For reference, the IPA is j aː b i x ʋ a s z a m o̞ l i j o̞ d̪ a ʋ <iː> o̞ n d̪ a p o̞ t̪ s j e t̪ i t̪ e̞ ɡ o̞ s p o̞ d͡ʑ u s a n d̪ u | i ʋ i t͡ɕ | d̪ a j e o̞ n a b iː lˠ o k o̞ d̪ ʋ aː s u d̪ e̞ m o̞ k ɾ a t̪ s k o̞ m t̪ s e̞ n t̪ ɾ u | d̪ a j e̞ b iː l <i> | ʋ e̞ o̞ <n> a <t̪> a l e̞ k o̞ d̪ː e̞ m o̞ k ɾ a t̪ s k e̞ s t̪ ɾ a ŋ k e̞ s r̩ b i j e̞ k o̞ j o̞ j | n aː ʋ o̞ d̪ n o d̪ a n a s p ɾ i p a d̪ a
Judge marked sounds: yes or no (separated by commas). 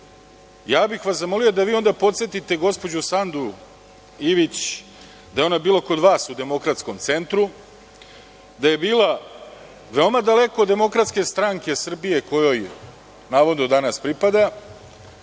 yes, no, no, no